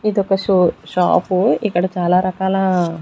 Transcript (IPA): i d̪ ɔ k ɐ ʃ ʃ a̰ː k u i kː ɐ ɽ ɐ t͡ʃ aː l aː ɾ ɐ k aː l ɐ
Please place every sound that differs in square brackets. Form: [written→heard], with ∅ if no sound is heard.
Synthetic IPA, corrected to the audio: i d̪ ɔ k ɐ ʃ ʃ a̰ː [k→p] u i kː ɐ ɽ ɐ t͡ʃ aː l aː ɾ ɐ k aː l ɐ